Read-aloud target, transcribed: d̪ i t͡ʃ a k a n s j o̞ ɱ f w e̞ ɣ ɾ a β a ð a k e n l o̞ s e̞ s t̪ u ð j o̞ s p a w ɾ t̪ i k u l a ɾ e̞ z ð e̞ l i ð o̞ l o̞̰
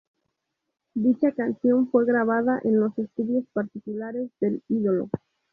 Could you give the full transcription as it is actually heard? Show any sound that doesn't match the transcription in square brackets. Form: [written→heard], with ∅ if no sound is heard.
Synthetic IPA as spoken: d̪ i t͡ʃ a k a n s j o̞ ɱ f w e̞ ɣ ɾ a β a ð a [k→ʔ] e n l o̞ s e̞ s t̪ u ð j o̞ s p a [w→∅] ɾ t̪ i k u l a ɾ e̞ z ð e̞ l i ð o̞ l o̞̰